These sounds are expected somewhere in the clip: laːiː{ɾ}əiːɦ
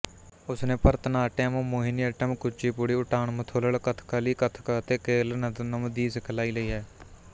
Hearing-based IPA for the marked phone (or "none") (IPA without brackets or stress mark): l